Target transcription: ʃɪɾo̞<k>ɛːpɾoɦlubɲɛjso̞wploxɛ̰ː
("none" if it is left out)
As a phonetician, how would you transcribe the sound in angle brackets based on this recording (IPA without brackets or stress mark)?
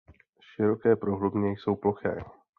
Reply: k